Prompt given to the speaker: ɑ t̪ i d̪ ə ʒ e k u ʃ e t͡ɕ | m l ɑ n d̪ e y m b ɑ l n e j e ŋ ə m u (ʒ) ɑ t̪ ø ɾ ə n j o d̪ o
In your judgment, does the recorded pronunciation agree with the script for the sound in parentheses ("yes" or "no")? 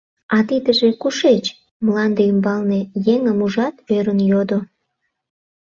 yes